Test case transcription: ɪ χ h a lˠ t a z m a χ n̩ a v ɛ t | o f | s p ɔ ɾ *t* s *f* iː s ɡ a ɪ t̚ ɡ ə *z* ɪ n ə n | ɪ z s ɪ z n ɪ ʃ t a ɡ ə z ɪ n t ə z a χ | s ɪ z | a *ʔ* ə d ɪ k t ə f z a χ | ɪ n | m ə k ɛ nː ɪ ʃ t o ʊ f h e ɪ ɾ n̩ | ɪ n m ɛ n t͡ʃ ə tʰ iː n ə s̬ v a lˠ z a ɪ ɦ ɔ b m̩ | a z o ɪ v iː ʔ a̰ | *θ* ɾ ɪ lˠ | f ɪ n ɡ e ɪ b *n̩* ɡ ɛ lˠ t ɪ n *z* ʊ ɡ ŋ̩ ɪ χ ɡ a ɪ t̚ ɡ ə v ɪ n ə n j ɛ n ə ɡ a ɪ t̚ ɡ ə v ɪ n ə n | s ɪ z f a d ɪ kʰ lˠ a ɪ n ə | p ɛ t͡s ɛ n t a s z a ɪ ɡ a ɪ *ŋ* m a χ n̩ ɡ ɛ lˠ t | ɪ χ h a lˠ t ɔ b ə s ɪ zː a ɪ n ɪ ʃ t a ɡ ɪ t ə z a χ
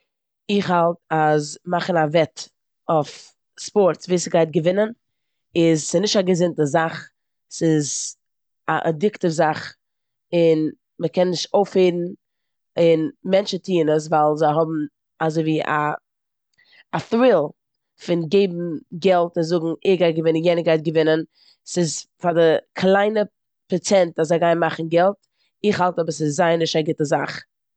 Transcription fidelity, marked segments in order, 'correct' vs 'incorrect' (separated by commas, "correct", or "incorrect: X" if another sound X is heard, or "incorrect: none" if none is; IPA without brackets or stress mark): correct, incorrect: v, incorrect: v, correct, correct, incorrect: m̩, correct, incorrect: n